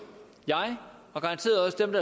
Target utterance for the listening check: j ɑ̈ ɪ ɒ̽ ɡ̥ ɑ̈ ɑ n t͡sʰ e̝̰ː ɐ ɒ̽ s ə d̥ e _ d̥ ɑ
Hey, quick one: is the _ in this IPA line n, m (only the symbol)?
m